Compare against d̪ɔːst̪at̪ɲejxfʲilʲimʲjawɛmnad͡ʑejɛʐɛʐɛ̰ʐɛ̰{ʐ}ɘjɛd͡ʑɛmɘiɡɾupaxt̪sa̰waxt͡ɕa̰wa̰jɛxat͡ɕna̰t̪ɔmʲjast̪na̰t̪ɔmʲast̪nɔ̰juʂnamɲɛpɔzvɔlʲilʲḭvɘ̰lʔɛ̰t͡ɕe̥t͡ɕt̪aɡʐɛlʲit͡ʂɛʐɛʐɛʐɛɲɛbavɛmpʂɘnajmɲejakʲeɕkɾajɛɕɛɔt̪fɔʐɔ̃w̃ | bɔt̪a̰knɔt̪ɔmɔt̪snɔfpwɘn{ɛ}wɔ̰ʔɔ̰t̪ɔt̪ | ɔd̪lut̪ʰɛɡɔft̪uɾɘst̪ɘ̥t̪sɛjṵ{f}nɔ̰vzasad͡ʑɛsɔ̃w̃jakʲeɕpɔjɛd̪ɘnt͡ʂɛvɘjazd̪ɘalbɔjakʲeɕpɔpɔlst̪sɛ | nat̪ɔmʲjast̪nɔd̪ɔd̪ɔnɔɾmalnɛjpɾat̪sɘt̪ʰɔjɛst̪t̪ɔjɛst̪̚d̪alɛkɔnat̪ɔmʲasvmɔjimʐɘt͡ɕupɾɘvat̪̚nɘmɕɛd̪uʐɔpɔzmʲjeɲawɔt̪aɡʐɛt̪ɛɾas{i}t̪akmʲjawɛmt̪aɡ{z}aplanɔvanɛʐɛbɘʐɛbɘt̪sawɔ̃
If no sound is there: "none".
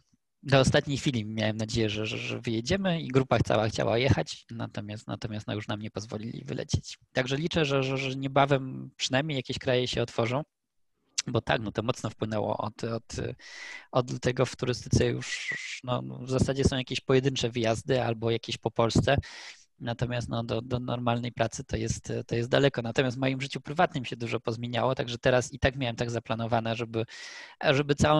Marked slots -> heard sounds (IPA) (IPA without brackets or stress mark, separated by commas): v, ɛ, ʂ, i, z